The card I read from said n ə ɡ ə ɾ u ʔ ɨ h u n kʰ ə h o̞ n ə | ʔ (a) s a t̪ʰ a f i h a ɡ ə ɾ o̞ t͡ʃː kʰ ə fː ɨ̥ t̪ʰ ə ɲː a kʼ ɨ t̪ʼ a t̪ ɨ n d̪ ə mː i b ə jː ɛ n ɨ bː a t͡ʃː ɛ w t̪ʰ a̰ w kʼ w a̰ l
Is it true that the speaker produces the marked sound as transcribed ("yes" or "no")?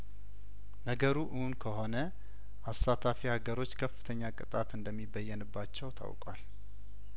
yes